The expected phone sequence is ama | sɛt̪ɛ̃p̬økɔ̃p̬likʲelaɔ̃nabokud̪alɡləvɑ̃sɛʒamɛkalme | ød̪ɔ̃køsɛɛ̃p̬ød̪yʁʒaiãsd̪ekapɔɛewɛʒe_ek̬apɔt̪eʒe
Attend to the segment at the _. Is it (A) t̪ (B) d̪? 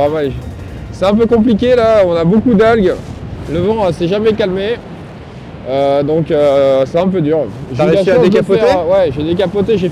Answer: B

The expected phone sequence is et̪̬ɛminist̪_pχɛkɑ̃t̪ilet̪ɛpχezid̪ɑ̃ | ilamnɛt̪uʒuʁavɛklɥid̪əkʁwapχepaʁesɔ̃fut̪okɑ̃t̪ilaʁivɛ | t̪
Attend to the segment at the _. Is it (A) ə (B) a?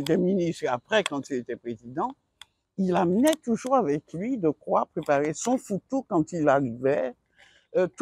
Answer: B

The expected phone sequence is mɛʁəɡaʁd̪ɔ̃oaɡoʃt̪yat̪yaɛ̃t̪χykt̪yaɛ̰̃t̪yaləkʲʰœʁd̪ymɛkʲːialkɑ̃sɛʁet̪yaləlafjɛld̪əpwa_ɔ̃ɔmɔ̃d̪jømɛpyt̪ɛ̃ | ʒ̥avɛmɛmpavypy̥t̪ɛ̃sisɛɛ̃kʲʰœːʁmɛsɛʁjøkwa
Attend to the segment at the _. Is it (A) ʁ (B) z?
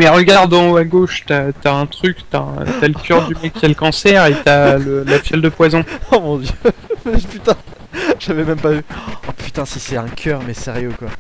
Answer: B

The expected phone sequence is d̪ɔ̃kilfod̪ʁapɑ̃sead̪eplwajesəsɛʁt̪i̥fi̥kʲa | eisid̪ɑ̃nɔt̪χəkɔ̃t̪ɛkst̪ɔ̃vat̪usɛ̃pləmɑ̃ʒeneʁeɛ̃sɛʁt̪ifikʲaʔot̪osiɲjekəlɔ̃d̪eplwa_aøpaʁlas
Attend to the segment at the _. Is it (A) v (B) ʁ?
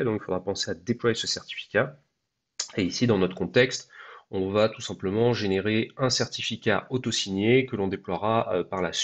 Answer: B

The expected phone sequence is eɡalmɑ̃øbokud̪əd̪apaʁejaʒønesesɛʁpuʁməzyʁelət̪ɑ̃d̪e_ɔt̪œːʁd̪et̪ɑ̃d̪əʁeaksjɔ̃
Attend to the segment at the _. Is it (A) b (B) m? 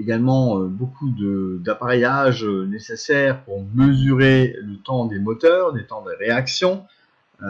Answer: B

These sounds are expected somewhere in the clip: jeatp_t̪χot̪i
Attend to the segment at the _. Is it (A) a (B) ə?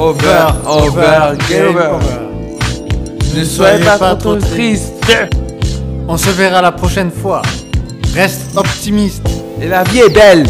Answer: A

